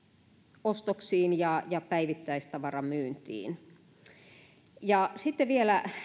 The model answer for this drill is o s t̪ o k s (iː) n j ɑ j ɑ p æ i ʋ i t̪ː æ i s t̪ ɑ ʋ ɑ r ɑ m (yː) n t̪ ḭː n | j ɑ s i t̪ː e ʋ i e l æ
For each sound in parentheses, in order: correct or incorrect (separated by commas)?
correct, correct